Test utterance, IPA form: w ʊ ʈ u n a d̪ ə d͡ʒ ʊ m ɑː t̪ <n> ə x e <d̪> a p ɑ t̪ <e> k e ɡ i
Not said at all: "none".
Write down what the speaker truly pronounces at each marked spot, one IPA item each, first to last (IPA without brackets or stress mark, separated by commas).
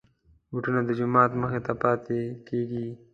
m, t̪, e